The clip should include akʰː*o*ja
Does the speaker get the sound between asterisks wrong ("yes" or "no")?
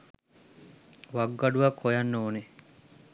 no